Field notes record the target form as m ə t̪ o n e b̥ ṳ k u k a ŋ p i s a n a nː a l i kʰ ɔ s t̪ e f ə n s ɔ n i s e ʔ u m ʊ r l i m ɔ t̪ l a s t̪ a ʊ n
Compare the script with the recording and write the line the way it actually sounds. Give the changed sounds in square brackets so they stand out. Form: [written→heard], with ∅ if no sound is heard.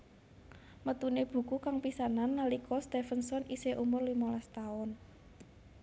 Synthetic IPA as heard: m ə t̪ [o→u] n e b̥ ṳ k u k a ŋ p i s a n a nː a l i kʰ ɔ s t̪ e f ə n s ɔ n i s e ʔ u m ʊ r l i m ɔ [t̪→∅] l a s t̪ a ʊ n